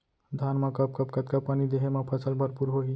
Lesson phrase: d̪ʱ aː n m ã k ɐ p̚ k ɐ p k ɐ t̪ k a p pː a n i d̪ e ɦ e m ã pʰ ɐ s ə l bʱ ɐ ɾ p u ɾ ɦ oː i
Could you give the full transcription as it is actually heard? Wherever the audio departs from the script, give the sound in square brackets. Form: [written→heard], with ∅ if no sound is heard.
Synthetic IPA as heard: d̪ʱ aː n m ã k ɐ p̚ k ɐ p k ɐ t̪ k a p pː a n i d̪ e ɦ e m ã pʰ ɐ s ə l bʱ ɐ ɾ p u ɾ ɦ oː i